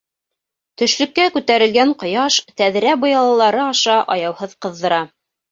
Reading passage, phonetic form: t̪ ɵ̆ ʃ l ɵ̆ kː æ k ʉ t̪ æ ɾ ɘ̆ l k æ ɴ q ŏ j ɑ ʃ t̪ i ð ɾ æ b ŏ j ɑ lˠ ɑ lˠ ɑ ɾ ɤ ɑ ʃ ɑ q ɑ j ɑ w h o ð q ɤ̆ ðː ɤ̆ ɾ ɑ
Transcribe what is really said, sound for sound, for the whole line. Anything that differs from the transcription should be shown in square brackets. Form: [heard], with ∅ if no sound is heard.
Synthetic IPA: t̪ ɵ̆ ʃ l ɵ̆ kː æ k ʉ t̪ æ ɾ ɘ̆ l [ɡ] æ ɴ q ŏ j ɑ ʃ t̪ [æ] ð ɾ æ b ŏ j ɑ lˠ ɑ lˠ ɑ ɾ ɤ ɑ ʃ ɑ [ʔ] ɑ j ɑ w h [ɤ] ð q ɤ̆ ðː ɤ̆ ɾ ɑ